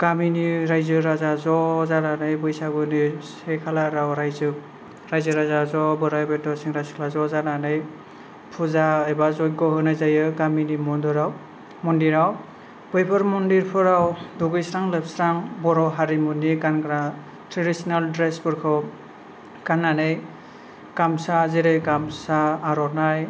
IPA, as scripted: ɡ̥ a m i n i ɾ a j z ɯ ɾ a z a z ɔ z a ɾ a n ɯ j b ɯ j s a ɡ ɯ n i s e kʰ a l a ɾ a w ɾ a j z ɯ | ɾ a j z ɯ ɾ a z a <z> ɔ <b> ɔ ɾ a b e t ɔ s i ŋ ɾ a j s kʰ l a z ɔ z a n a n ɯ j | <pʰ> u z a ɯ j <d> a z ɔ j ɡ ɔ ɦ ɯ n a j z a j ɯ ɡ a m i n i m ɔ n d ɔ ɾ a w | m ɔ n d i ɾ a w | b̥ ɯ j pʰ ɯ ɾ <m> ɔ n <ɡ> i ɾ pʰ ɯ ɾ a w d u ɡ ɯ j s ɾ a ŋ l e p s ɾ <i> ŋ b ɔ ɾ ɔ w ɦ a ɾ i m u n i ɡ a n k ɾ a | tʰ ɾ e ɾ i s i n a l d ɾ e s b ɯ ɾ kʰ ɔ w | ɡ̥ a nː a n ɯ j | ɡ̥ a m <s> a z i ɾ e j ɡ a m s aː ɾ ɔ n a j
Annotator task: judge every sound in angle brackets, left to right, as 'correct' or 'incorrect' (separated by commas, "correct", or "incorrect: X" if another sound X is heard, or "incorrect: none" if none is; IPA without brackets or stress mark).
correct, correct, correct, incorrect: b, correct, incorrect: d, incorrect: a, correct